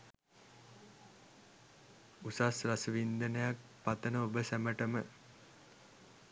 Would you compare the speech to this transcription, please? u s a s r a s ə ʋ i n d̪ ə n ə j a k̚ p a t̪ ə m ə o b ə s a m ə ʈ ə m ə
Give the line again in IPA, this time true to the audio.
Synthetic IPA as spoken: u s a s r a s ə ʋ i n d̪ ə n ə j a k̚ p a t̪ ə n ə o b ə s æ m ə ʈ ə m ə